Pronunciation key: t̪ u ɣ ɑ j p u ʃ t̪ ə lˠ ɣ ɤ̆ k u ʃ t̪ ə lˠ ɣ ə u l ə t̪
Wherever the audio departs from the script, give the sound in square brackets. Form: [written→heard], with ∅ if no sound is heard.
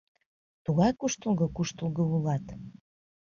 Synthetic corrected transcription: t̪ u ɣ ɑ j [p→k] u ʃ t̪ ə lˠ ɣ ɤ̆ k u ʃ t̪ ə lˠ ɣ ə u l [ə→ɑ] t̪